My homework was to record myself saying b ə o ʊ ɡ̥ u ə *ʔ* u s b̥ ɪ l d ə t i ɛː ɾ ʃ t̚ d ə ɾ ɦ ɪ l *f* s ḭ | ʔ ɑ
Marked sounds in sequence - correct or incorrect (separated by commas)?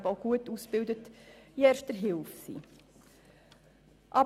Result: incorrect, correct